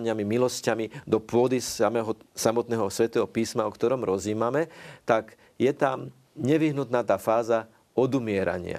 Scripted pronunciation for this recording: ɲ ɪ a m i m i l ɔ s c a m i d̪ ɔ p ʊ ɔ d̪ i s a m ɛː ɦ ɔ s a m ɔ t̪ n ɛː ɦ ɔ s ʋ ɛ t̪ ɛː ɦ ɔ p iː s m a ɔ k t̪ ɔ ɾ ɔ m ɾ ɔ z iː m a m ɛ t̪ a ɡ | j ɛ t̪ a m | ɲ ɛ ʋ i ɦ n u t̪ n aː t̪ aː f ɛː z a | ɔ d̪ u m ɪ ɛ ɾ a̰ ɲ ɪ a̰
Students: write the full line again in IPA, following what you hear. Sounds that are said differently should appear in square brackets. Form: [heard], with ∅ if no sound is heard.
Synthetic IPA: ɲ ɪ a m i m i l ɔ s c a m i d̪ ɔ p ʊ ɔ d̪ i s a m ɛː ɦ ɔ s a m ɔ t̪ n ɛː ɦ ɔ s ʋ ɛ t̪ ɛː ɦ ɔ p iː s m a ɔ k t̪ ɔ ɾ ɔ m ɾ ɔ z iː m a m ɛ t̪ a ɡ | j ɛ t̪ a m | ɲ ɛ ʋ i ɦ n u t̪ n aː t̪ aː f [aː] z a | ɔ d̪ u m ɪ ɛ ɾ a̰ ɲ ɪ a̰